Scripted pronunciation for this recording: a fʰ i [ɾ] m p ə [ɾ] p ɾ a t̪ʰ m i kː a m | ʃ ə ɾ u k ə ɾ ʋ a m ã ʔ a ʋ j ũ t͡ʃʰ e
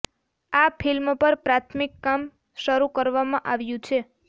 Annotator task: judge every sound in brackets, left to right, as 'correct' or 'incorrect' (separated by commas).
incorrect, correct